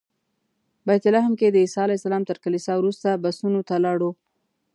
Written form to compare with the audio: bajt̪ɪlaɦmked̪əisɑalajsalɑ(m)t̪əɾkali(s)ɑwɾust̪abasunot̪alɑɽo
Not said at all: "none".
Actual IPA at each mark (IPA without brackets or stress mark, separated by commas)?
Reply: m, s